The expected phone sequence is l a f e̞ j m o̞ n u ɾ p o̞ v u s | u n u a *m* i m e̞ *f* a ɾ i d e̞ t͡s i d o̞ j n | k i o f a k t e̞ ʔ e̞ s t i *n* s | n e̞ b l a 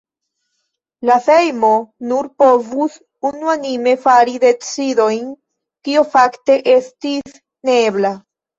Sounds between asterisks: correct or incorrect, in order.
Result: incorrect: n, correct, incorrect: none

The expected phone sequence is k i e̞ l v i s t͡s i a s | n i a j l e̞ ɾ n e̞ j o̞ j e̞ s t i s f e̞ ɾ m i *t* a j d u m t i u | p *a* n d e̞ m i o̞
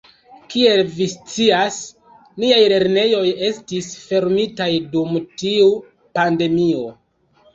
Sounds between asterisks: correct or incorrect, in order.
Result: correct, correct

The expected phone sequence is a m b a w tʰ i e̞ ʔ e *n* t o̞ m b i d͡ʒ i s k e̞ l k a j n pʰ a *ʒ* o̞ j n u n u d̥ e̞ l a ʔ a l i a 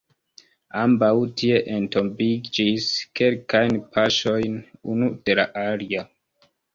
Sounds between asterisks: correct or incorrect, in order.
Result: correct, incorrect: ʃ

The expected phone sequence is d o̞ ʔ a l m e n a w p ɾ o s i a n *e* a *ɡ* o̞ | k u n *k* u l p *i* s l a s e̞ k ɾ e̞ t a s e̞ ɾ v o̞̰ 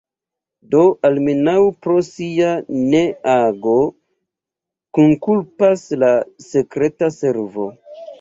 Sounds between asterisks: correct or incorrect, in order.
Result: correct, correct, correct, incorrect: a

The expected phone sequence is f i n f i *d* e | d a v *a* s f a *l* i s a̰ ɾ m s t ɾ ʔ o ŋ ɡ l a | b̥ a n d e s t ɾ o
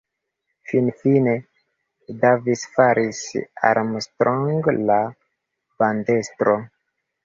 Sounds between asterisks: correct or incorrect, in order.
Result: incorrect: n, incorrect: i, incorrect: ɾ

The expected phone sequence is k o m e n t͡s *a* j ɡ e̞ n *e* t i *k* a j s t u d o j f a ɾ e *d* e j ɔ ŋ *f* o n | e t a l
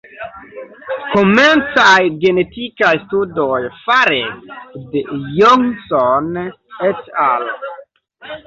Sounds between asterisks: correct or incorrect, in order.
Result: correct, correct, correct, correct, incorrect: s

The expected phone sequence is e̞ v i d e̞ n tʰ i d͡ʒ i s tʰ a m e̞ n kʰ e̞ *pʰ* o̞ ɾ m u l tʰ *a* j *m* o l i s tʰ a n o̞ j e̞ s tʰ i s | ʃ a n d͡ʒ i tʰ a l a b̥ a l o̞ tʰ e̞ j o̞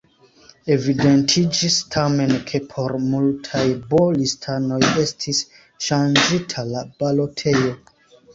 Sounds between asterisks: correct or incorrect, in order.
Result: correct, correct, incorrect: b

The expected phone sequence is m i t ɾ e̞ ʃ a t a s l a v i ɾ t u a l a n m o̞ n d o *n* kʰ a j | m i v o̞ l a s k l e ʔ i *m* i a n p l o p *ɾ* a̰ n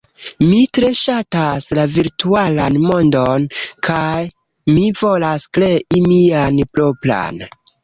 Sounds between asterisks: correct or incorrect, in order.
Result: correct, correct, incorrect: l

